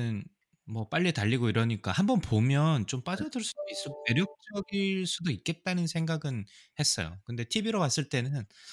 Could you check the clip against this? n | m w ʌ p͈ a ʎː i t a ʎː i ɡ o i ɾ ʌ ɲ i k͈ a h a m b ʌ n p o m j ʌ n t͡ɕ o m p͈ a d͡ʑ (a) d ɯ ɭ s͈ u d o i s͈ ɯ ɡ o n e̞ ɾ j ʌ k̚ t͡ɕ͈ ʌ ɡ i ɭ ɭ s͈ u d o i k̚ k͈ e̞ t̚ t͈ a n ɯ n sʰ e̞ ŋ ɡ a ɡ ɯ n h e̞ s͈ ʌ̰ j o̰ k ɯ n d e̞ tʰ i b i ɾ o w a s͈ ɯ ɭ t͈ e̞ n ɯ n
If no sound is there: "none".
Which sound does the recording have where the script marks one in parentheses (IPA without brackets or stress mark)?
ʌ